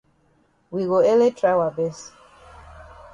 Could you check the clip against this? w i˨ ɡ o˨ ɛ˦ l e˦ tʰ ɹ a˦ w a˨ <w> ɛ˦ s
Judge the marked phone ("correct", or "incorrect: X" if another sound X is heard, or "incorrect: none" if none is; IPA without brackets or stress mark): incorrect: b